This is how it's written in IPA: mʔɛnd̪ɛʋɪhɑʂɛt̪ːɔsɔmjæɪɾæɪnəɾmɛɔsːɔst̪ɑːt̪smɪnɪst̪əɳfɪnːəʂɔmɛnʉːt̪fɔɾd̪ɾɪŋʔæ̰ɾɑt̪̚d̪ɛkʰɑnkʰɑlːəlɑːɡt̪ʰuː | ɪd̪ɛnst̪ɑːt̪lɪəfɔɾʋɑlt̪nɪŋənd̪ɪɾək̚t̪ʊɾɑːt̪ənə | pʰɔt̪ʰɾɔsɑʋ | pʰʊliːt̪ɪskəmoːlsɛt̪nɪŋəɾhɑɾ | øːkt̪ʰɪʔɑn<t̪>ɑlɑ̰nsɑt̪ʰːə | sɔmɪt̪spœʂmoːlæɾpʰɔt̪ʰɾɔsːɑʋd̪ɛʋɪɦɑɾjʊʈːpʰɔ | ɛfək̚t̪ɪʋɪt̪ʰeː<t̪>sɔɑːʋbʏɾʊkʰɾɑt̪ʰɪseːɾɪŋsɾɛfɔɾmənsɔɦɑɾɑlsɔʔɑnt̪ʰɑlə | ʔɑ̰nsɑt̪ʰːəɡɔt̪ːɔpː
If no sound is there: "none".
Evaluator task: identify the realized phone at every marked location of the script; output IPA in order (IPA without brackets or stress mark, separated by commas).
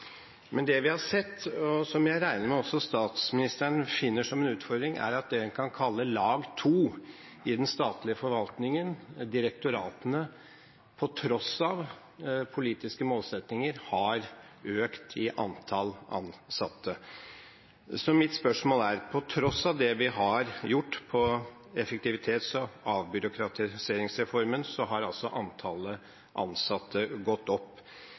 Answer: t̪ʰ, t̪